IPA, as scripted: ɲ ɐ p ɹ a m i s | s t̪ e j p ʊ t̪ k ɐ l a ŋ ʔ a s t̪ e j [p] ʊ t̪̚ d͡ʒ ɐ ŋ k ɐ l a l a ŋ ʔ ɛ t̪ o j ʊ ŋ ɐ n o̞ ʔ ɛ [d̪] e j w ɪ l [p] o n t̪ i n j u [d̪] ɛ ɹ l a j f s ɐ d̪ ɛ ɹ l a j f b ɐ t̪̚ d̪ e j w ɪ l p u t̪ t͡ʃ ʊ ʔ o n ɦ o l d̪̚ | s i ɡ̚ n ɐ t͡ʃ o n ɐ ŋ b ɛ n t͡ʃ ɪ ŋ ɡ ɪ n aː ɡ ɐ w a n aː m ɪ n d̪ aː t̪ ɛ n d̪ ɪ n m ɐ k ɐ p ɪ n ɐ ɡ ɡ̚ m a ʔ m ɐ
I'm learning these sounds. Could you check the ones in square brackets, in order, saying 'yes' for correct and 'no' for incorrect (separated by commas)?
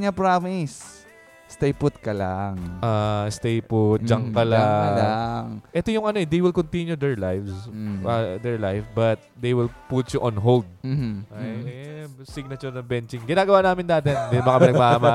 yes, yes, no, yes